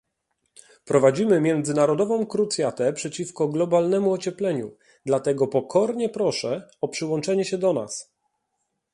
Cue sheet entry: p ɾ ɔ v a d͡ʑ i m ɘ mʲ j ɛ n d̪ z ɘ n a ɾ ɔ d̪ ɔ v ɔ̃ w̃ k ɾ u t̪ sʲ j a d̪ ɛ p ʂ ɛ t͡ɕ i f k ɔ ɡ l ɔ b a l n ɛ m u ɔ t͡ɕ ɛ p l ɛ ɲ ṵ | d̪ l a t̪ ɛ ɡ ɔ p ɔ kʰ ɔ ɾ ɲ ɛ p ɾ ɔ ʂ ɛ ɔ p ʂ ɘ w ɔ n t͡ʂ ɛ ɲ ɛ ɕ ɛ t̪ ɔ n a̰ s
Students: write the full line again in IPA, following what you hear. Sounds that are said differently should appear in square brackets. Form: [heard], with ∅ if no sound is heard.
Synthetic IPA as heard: p ɾ ɔ v a d͡ʑ i m ɘ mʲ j ɛ n d̪ z ɘ n a ɾ ɔ d̪ ɔ v ɔ̃ w̃ k ɾ u t̪ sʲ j a [t̪] ɛ p ʂ ɛ t͡ɕ i f k ɔ ɡ l ɔ b a l n ɛ m u ɔ t͡ɕ ɛ p l ɛ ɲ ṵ | d̪ l a t̪ ɛ ɡ ɔ p ɔ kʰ ɔ ɾ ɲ ɛ p ɾ ɔ ʂ ɛ ɔ p ʂ ɘ w ɔ n t͡ʂ ɛ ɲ ɛ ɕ ɛ [d̪] ɔ n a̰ s